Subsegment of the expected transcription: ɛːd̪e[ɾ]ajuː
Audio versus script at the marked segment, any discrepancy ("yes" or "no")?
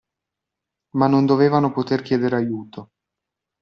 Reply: no